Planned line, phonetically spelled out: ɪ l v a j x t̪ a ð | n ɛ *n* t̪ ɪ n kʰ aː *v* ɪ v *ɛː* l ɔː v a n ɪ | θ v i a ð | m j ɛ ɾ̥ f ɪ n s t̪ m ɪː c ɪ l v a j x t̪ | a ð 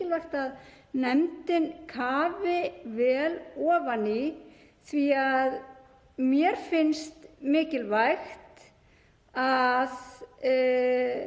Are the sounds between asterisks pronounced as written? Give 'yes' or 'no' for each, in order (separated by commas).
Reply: no, yes, yes